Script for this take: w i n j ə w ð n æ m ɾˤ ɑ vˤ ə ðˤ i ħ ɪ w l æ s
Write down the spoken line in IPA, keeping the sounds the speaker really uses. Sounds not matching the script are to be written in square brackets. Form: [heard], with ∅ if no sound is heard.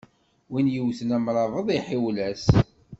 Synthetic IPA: w i n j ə w [θ] n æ m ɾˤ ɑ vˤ ə ðˤ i ħ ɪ w l æ s